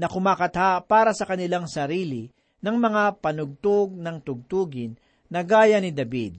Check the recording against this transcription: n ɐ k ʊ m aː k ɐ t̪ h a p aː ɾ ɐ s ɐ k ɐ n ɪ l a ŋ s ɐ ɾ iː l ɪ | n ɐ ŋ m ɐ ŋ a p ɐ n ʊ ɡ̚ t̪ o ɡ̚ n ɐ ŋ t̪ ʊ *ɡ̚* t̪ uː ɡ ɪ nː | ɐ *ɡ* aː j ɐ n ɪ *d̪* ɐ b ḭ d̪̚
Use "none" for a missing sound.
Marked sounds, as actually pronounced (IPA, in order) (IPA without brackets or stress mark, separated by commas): ɡ̚, ɡ, d̪